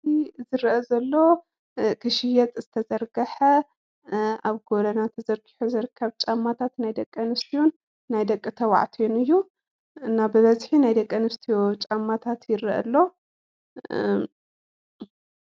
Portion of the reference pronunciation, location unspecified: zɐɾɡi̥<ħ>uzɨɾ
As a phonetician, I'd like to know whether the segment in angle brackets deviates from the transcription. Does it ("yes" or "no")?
no